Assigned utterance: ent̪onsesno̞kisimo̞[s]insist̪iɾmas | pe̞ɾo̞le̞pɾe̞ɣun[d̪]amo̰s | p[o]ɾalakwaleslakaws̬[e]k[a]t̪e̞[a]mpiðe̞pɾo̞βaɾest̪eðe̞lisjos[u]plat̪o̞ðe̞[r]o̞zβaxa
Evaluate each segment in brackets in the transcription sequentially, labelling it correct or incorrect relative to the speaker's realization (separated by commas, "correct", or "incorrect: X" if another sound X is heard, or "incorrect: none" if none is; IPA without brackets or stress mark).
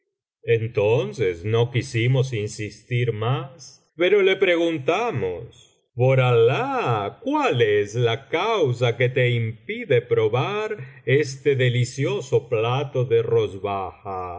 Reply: correct, incorrect: t̪, correct, incorrect: a, incorrect: e, incorrect: i, incorrect: o, correct